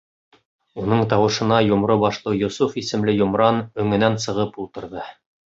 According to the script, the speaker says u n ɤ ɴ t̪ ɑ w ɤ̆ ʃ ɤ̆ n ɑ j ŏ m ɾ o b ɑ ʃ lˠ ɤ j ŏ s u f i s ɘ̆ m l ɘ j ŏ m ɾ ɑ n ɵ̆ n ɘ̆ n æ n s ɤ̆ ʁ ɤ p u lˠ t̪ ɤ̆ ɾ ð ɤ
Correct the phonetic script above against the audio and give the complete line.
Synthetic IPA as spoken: u n ɤ ɴ t̪ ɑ w ɤ̆ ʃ ɤ̆ n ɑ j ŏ m ɾ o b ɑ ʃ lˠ ɤ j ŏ s u f i s ɘ̆ m l ɘ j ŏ m ɾ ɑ n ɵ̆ ŋ ɘ̆ n æ n s ɤ̆ ʁ ɤ p u lˠ t̪ ɤ̆ ɾ ð ɤ

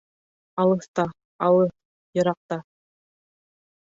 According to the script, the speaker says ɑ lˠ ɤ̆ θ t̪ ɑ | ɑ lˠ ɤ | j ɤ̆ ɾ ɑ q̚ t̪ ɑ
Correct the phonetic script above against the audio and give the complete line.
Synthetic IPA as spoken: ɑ lˠ ɤ̆ θ t̪ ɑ | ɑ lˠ ɤ | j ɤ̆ ɾ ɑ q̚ t̪ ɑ

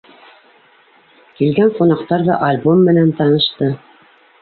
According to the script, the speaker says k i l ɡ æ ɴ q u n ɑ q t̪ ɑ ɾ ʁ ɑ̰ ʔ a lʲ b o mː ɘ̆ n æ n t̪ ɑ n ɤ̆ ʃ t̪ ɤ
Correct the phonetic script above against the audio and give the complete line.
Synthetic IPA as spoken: k i l ɡ æ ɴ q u n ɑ q t̪ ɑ ɾ ð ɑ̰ ʔ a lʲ b o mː ɘ̆ n æ n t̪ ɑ n ɤ̆ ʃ t̪ ɤ

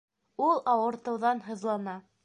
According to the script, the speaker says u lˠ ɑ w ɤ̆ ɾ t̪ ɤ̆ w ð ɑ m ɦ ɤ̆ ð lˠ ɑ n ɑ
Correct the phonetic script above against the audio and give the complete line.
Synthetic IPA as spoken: u lˠ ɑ w ɤ̆ ɾ t̪ ɤ̆ w ð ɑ n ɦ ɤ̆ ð lˠ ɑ n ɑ

